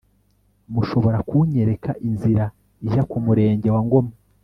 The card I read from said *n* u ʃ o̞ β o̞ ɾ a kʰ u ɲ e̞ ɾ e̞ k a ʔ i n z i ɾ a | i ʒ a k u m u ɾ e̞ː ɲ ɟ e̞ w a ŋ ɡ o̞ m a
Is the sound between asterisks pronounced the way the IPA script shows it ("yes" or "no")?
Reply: no